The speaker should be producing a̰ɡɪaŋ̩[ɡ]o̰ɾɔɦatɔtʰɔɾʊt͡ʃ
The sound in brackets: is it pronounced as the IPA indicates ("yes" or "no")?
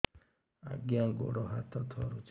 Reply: yes